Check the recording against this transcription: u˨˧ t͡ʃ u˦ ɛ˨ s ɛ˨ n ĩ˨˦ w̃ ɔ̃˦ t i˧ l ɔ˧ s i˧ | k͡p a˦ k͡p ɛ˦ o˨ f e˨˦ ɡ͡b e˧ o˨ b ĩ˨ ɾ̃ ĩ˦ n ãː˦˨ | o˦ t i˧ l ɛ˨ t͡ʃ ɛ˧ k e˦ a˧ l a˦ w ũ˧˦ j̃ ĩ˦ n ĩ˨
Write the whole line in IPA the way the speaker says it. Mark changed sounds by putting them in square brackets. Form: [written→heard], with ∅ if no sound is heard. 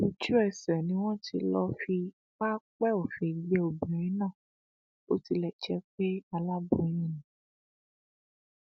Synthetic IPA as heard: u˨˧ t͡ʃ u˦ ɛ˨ s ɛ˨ n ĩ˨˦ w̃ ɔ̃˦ t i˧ l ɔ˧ [s→f] i˧ | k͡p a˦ k͡p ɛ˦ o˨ f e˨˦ ɡ͡b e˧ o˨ b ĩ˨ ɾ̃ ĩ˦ n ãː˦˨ | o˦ t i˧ l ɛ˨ t͡ʃ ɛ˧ [k→k͡p] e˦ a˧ l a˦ [w→b] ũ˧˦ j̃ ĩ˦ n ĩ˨